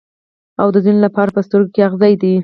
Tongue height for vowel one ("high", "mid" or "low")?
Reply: low